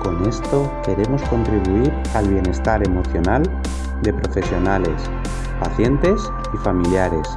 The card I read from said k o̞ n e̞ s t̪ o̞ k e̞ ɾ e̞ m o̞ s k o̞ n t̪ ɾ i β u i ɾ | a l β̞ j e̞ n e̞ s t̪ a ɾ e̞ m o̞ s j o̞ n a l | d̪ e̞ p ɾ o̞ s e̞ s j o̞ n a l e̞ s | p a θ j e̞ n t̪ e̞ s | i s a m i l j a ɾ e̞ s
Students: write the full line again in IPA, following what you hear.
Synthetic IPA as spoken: k o̞ n e̞ s t̪ o̞ k e̞ ɾ e̞ m o̞ s k o̞ n t̪ ɾ i β u i ɾ | a l β̞ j e̞ n e̞ s t̪ a ɾ e̞ m o̞ θ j o̞ n a l | d̪ e̞ p ɾ o̞ f e̞ s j o̞ n a l e̞ s | p a θ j e̞ n t̪ e̞ s | i f a m i l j a ɾ e̞ s